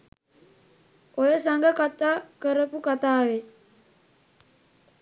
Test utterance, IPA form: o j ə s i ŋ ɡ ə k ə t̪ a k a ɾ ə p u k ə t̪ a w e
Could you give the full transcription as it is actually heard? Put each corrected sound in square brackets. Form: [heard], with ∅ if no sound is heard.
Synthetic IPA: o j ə s [a] ŋ ɡ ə k [a] t̪ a k [ə] ɾ ə p u k [a] t̪ a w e